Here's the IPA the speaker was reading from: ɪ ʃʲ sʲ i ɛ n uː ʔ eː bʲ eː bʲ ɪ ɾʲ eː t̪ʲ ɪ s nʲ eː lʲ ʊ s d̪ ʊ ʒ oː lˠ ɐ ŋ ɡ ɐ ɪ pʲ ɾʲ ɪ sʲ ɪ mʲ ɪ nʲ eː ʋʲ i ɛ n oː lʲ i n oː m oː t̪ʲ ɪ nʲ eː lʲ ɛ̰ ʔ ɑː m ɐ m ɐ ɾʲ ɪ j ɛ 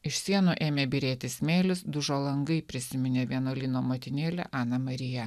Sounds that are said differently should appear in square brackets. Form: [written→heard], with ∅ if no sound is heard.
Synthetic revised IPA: ɪ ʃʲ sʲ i ɛ n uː ʔ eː [bʲ→mʲ] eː bʲ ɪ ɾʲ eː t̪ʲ ɪ s [nʲ→mʲ] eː lʲ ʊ s d̪ ʊ ʒ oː lˠ ɐ ŋ ɡ ɐ ɪ pʲ ɾʲ ɪ sʲ ɪ mʲ ɪ nʲ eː ʋʲ i ɛ n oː lʲ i n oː m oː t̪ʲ ɪ nʲ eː lʲ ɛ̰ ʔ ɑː [m→n] ɐ m ɐ ɾʲ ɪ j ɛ